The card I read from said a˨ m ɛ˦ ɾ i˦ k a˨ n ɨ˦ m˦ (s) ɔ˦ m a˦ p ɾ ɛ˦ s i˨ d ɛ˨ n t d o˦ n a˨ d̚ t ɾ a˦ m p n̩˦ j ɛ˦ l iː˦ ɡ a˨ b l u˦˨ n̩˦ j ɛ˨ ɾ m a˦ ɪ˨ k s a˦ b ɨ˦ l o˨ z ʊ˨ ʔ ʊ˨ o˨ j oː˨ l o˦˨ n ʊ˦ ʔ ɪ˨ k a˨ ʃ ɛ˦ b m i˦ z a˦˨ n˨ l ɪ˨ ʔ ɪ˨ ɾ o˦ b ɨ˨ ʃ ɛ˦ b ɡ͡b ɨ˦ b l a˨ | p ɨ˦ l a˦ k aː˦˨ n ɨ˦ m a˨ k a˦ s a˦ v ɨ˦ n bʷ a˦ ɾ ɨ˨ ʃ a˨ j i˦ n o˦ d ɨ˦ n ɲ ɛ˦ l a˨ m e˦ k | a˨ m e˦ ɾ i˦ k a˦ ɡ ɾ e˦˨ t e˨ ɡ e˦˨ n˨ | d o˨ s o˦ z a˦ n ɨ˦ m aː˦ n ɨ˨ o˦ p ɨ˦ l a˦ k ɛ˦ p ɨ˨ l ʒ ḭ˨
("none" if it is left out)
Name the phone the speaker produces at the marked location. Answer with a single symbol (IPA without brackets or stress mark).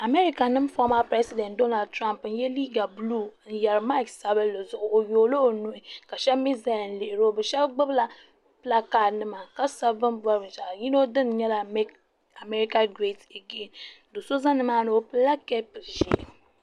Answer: f